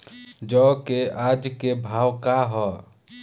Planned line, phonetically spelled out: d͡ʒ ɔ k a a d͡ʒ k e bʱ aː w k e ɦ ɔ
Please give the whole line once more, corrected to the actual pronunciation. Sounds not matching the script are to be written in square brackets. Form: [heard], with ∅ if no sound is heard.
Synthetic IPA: d͡ʒ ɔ k [e] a d͡ʒ k e bʱ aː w k [a] ɦ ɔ